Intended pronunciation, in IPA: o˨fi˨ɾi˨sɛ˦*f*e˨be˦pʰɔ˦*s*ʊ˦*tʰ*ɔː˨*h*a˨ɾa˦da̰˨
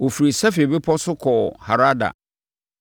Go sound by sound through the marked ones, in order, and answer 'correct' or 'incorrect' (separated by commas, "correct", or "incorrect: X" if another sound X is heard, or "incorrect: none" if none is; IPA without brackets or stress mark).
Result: correct, correct, incorrect: kʰ, correct